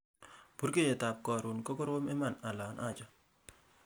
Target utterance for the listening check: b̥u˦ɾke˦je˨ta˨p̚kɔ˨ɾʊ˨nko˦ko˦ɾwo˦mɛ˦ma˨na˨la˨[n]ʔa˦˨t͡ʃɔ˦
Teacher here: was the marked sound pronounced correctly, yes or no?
yes